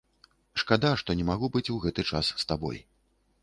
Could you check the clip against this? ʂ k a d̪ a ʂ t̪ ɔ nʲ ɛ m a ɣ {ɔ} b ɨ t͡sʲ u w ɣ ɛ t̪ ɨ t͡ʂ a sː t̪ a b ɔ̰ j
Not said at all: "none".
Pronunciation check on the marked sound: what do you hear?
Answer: u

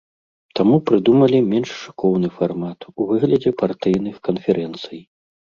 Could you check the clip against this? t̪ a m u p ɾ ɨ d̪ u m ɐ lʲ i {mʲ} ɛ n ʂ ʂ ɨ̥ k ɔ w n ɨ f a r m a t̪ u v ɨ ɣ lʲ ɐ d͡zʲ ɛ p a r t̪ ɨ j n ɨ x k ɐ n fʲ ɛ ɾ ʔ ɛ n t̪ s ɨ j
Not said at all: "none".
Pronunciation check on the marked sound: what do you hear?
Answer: mʲ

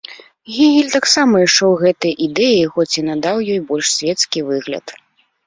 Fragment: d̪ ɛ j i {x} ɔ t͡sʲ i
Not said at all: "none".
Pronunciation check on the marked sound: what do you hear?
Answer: x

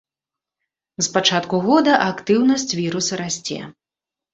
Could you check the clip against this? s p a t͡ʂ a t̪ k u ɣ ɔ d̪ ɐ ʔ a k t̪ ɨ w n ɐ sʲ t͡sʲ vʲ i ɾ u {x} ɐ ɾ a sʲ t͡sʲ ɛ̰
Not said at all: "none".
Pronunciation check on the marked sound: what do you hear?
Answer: s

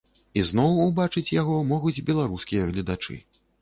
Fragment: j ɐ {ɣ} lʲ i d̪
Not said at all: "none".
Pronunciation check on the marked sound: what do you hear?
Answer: ɣ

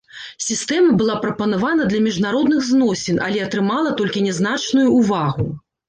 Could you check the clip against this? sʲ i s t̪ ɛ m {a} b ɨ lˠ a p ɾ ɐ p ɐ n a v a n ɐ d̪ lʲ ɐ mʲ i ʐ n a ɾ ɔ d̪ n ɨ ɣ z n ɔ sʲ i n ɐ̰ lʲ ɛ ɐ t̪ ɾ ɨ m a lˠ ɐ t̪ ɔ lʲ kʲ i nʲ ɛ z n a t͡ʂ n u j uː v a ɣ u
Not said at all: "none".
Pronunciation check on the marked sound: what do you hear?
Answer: ɐ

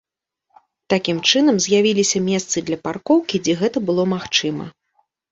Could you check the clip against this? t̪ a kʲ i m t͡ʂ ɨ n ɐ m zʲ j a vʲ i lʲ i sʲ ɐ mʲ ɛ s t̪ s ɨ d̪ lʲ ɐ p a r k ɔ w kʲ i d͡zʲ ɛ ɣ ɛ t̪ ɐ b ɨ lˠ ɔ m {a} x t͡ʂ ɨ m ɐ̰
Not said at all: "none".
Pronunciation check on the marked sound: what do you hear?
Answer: a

